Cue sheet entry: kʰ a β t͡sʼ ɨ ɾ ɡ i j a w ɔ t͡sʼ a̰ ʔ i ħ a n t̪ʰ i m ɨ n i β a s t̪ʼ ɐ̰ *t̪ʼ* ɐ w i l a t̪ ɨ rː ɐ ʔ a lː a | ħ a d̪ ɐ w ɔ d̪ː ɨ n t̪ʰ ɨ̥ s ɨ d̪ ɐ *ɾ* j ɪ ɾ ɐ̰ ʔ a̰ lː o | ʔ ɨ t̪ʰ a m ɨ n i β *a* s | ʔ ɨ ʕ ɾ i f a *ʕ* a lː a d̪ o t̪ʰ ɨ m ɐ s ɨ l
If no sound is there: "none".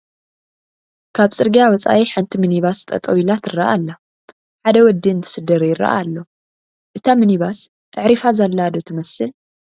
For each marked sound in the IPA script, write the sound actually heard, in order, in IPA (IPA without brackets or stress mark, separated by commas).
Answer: t̪ʼ, ɾ, a, z